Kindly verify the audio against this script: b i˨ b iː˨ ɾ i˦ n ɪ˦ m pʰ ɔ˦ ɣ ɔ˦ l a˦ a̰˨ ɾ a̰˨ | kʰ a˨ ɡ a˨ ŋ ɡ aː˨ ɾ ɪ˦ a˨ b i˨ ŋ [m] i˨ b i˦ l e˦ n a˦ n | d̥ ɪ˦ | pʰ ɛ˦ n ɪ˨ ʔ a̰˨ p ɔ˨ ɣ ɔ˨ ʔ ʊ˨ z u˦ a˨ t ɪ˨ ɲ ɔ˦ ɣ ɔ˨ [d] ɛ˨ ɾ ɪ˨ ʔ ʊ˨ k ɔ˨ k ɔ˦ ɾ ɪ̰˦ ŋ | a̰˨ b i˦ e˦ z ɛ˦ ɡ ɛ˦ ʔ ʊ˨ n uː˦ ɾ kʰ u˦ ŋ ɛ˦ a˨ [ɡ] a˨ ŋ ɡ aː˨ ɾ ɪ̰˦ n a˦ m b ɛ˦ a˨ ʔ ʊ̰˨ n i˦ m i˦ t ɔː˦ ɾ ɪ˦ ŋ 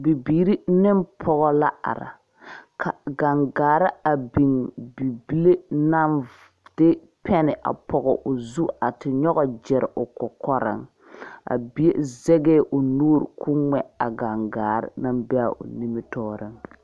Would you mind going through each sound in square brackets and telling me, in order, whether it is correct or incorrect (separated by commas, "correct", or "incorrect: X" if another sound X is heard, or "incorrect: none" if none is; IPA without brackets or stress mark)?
incorrect: b, incorrect: d͡ʒ, correct